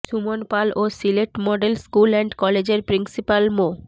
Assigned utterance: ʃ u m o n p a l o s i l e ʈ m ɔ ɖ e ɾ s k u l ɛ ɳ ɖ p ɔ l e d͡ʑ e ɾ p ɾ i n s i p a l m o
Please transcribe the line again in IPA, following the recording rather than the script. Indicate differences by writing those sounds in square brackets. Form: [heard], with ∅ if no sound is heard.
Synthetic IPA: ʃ u m o n p a l o s i l e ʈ m ɔ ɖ e [l] s k u l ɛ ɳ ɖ [k] ɔ l e d͡ʑ e ɾ p ɾ i n s i p a l m o